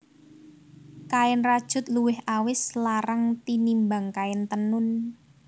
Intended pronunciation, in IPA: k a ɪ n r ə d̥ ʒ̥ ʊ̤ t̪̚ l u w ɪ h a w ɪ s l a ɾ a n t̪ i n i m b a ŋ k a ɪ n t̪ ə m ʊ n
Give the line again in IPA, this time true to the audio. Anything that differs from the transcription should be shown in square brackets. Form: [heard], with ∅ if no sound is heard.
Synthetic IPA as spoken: k a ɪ n r [a] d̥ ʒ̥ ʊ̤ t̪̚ l u w ɪ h a w ɪ s l a ɾ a [ŋ] t̪ i n i m b a ŋ k a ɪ n t̪ ə [n] ʊ n